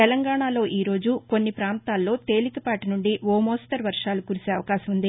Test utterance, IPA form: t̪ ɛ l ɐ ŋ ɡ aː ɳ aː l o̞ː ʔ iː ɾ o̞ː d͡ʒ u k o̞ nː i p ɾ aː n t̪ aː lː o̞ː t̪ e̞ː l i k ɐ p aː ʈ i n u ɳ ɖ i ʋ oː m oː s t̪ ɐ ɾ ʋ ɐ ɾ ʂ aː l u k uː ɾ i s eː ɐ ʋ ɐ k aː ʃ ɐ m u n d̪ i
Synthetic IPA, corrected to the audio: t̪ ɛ l ɐ ŋ ɡ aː ɳ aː l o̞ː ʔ iː ɾ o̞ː d͡ʒ u k o̞ nː i p ɾ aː n t̪ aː lː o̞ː t̪ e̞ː l i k ɐ p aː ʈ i n u ɳ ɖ i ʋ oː m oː s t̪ ɐ ɾ ʋ ɐ ɾ ʂ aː l u k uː ɾ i s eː ɐ ʋ ɐ k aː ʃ ɐ m u n d̪ i